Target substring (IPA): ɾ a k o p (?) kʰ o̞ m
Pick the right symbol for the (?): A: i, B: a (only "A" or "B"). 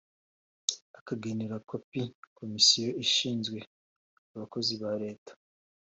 A